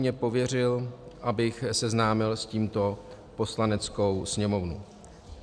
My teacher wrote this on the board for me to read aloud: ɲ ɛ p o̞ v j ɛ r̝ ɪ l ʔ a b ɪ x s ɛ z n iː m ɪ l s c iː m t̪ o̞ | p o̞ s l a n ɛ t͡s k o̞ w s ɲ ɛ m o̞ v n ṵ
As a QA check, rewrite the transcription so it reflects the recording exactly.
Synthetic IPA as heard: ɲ ɛ p o̞ v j ɛ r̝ ɪ l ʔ a b ɪ x s ɛ z n aː m ɪ l s c iː m t̪ o̞ | p o̞ s l a n ɛ t͡s k o̞ w s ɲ ɛ m o̞ v n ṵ